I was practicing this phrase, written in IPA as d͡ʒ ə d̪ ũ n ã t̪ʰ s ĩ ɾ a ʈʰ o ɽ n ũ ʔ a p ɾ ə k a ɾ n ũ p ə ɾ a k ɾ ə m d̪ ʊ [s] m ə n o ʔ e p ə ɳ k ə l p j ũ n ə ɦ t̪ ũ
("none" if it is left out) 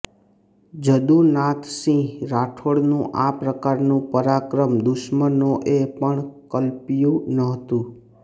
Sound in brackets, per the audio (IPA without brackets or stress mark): ʃ